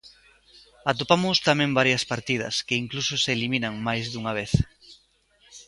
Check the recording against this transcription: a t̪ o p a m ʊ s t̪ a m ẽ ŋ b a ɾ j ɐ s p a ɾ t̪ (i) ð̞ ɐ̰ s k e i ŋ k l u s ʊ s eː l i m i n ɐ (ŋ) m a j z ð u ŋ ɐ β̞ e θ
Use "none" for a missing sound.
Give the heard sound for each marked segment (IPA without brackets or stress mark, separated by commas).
i, ŋ